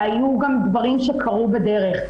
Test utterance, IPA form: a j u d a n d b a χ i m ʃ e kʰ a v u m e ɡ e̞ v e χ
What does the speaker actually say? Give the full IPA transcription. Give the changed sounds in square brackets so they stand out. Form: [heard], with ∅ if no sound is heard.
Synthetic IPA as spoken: a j u [ɡ] a [m] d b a [ʁ] i m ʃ e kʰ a [ʁ] u [b] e [d] e̞ [ʁ] e χ